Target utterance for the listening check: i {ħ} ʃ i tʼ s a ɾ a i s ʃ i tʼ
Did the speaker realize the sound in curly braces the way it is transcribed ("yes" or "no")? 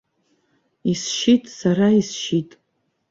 no